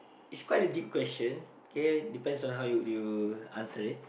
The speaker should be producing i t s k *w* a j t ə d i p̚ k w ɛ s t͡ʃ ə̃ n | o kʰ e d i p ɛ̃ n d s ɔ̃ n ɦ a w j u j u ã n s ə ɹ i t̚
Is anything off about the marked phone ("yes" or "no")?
no